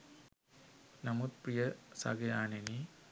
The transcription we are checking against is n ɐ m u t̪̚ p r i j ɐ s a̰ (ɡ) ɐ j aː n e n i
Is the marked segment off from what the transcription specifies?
no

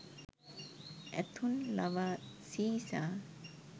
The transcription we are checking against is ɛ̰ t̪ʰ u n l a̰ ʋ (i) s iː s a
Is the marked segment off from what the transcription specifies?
yes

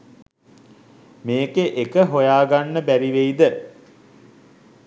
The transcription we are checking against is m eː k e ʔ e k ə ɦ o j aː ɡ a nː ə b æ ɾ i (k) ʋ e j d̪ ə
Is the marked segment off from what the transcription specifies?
yes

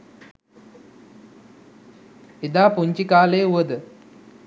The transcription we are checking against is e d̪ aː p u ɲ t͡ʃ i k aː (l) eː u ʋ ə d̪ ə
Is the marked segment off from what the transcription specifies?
no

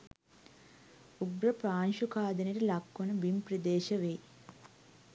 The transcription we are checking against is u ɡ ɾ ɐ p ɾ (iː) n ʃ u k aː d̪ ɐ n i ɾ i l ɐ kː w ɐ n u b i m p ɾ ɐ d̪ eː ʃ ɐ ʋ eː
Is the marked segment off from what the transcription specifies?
yes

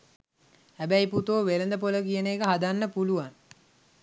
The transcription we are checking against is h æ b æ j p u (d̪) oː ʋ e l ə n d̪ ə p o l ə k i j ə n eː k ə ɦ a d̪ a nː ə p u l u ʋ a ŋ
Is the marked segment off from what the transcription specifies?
yes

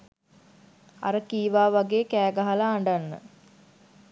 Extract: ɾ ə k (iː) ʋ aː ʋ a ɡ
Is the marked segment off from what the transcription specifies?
no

